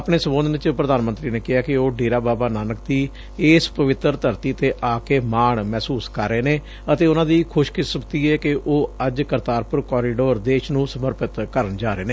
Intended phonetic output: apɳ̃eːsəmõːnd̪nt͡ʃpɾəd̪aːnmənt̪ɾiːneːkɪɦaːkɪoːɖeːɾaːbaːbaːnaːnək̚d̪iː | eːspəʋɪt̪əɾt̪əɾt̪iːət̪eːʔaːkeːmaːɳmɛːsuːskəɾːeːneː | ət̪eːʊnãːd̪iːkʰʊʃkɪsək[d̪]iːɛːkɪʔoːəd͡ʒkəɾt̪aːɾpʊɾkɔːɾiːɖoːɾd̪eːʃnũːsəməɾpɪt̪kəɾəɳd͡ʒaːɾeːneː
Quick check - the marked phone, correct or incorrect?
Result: incorrect